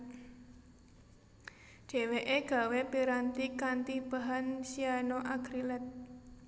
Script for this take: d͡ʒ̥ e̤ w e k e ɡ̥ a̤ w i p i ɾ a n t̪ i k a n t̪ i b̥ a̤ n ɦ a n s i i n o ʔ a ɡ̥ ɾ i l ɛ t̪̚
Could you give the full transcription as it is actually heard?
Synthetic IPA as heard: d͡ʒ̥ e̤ w e ʔ e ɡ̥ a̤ w e p i ɾ a n t̪ i k a n t̪ i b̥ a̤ ɦ a n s i a n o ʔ a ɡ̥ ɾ i l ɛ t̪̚